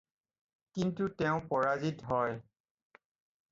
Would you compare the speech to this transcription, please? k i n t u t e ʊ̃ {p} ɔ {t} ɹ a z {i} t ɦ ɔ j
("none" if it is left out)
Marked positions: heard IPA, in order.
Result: p, none, i

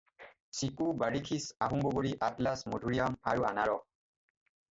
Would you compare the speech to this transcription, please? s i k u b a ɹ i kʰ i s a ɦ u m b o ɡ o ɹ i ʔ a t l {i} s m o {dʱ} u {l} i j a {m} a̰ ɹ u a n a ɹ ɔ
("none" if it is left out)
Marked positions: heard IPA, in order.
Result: a, dʱ, ɹ, m

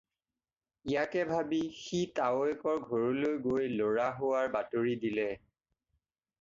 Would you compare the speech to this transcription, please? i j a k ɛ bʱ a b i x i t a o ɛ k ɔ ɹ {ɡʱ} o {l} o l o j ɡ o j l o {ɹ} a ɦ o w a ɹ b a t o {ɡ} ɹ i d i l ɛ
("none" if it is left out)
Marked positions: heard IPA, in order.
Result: ɡʱ, ɹ, ɹ, none

